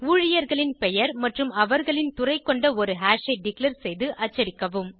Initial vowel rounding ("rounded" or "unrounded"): rounded